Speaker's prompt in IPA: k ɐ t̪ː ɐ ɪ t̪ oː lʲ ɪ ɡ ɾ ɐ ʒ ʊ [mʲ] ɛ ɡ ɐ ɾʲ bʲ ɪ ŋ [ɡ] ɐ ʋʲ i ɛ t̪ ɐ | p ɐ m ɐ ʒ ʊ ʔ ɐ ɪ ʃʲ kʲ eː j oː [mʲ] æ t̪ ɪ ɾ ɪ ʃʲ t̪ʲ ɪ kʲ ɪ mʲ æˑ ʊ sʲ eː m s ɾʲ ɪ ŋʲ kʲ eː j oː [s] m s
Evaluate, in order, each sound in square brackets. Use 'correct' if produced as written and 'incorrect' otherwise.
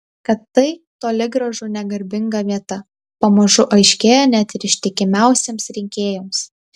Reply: incorrect, correct, incorrect, incorrect

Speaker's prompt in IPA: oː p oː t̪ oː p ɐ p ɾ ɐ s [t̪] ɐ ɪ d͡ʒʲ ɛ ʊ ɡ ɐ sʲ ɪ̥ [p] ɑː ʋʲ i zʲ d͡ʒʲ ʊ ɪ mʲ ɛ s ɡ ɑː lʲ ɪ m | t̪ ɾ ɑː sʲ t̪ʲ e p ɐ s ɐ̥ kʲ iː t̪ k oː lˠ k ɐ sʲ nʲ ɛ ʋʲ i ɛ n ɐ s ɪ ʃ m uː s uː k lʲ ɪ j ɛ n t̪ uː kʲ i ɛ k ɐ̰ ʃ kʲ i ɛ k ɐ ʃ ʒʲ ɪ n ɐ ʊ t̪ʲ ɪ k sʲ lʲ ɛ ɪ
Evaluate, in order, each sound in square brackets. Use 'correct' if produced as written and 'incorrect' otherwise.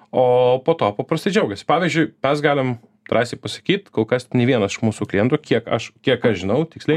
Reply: correct, correct

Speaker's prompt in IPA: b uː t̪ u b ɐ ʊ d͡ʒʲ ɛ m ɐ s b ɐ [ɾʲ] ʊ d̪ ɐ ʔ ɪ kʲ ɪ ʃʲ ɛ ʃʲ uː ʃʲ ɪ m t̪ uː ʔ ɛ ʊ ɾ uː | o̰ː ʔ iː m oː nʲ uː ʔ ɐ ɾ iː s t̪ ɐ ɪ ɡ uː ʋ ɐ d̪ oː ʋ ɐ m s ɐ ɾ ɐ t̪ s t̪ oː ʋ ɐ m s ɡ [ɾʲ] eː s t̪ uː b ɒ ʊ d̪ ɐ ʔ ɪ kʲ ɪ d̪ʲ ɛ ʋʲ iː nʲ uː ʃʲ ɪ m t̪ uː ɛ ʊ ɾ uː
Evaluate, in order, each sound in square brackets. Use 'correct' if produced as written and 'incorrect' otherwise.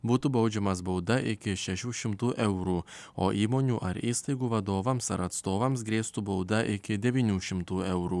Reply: incorrect, correct

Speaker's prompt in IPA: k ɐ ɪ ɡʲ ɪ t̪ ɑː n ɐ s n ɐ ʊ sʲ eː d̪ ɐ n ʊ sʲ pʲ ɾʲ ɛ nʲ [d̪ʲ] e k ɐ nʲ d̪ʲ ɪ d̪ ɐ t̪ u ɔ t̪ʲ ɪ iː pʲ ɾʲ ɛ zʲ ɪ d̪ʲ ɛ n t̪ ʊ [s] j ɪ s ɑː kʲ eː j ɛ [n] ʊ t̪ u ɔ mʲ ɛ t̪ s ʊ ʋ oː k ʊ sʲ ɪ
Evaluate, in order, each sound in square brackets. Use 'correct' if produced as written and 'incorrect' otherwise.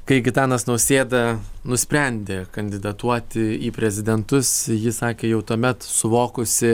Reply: correct, correct, incorrect

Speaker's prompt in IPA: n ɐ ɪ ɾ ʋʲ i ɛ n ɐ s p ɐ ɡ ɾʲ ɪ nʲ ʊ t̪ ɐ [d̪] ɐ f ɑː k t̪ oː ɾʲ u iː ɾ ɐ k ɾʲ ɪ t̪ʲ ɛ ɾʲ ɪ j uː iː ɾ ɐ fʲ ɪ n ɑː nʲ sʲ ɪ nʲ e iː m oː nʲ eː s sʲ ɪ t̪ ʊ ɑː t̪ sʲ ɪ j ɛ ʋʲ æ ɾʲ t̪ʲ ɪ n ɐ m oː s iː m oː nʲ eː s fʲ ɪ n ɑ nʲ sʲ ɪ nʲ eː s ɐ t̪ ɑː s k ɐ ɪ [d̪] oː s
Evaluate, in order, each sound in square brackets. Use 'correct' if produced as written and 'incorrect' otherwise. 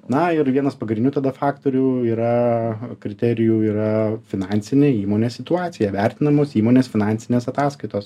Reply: correct, incorrect

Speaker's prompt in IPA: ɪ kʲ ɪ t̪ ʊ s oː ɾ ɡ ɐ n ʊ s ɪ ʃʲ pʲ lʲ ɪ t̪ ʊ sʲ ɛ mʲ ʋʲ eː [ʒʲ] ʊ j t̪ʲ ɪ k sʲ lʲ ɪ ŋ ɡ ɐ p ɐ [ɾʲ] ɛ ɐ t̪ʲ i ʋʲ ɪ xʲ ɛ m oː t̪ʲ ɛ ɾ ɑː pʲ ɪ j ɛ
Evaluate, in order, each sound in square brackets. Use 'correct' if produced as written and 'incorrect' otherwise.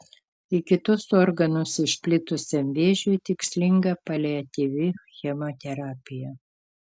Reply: correct, incorrect

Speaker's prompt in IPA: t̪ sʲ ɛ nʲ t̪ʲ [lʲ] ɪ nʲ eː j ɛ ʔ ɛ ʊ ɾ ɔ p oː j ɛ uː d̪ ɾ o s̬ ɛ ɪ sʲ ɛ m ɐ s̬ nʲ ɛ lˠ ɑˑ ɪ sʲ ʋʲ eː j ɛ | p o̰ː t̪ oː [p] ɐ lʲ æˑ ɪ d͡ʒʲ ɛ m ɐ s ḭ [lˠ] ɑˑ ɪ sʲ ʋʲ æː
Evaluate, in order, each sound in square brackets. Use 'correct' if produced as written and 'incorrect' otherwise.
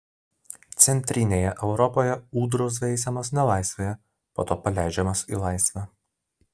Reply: incorrect, correct, correct

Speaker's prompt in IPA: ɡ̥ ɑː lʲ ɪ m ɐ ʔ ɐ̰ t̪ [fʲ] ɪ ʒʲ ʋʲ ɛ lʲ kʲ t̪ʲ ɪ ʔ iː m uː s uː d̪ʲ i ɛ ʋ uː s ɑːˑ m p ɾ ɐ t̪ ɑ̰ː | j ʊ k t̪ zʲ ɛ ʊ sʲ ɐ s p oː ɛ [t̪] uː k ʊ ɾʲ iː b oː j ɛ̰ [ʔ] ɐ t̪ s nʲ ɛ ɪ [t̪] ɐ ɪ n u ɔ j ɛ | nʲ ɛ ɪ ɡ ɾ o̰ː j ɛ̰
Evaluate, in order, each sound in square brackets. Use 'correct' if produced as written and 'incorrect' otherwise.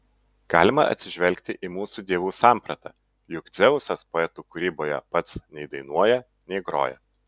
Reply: incorrect, correct, incorrect, incorrect

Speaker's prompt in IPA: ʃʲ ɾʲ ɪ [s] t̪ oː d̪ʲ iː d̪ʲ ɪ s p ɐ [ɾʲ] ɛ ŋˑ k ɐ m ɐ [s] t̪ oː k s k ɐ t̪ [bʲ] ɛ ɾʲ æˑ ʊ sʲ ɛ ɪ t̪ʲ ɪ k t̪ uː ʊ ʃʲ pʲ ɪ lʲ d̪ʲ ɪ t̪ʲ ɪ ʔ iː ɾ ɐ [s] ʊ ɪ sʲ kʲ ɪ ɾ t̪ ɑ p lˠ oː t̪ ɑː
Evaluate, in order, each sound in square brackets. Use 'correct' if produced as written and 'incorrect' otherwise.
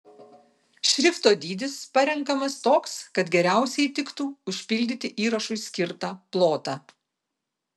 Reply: incorrect, correct, correct, incorrect, incorrect

